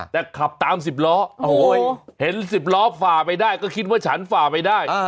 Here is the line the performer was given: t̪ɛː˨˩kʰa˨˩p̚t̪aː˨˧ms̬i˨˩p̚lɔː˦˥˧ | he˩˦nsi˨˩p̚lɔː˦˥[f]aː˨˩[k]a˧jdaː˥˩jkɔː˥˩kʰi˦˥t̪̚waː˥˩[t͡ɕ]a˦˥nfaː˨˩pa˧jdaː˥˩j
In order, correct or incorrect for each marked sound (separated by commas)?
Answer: correct, incorrect, incorrect